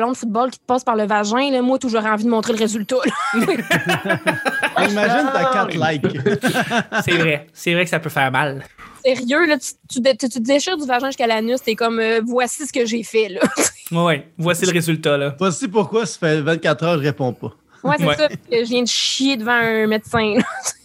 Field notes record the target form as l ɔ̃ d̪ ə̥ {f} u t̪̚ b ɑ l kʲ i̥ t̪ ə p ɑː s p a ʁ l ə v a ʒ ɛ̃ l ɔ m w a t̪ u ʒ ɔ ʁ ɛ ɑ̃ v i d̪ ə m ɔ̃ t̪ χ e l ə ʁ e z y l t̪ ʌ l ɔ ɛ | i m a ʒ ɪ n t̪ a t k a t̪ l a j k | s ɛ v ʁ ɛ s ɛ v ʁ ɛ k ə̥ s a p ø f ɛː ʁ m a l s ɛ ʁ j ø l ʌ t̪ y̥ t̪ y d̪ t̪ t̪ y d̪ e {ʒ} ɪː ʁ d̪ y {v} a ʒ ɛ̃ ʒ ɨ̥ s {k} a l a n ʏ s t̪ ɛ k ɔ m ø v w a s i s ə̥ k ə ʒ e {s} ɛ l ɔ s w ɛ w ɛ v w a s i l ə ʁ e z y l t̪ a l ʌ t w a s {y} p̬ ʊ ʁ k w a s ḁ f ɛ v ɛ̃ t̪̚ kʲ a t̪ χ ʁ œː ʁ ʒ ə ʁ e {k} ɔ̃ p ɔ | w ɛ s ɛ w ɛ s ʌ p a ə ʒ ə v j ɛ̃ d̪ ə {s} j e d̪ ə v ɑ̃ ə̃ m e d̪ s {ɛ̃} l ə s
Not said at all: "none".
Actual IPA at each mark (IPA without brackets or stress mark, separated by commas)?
f, ʃ, v, k, f, i, p, ʃ, ɛ̃